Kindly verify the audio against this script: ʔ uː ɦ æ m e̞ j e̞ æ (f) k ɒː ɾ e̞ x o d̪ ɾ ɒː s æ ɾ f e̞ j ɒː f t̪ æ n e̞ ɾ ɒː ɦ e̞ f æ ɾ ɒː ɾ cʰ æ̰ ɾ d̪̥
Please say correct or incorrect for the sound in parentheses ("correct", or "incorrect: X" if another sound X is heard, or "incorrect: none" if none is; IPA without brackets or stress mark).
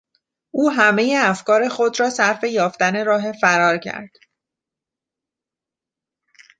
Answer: correct